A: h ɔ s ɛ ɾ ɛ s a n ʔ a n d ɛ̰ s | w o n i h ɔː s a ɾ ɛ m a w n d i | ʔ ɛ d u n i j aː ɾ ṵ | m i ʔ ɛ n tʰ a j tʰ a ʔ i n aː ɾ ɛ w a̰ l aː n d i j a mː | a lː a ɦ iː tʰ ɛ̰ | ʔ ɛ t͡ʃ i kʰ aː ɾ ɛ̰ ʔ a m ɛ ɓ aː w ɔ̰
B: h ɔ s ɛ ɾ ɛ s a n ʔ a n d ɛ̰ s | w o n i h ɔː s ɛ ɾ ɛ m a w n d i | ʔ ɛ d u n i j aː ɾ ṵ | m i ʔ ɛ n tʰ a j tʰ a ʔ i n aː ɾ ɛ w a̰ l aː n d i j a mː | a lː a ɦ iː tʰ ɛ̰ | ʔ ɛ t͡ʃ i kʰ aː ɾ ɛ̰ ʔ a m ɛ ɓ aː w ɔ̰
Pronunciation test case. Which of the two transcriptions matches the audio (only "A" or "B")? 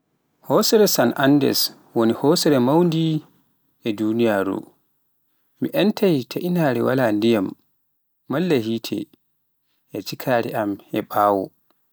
B